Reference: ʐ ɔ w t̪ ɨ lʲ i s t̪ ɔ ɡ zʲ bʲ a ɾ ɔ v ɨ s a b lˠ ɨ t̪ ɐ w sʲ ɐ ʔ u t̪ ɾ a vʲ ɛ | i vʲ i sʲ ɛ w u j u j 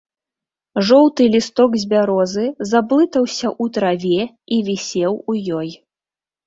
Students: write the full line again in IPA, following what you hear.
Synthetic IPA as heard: ʐ ɔ w t̪ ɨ lʲ i s t̪ ɔ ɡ zʲ bʲ a ɾ ɔ z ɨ z a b lˠ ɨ t̪ ɐ w sʲ ɐ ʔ u t̪ ɾ a vʲ ɛ | i vʲ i sʲ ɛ w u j ɔ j